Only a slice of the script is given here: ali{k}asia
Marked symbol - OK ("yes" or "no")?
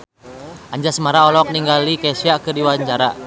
yes